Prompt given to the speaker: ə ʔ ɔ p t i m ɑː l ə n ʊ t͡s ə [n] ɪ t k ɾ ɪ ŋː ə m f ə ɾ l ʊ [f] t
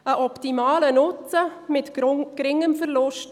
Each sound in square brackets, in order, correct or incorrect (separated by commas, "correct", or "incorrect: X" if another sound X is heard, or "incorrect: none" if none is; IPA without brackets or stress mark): incorrect: m, incorrect: ʃ